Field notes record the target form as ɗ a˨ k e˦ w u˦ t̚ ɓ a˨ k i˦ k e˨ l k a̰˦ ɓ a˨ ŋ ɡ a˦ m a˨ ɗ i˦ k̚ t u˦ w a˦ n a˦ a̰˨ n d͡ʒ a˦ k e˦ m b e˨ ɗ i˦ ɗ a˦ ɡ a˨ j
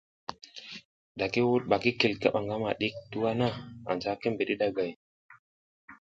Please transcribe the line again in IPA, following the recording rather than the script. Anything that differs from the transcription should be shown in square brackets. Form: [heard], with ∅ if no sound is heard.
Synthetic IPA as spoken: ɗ a˨ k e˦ w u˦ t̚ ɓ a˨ k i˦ k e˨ l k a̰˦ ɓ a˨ ŋ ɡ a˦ m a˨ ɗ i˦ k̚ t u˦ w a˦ n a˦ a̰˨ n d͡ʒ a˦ k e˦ m b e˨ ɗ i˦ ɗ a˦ ɡ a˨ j